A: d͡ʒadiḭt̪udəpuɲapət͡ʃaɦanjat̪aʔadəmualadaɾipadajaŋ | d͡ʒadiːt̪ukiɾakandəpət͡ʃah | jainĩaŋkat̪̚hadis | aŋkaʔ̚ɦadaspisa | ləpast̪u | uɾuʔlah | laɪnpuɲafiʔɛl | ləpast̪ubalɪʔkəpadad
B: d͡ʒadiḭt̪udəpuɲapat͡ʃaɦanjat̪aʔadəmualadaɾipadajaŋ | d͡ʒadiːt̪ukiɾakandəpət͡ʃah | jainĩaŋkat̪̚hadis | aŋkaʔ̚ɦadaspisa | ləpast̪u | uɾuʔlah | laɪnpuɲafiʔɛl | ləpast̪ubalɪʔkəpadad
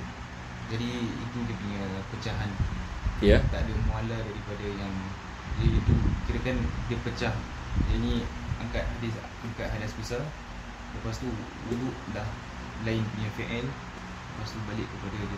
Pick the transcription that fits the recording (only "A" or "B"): A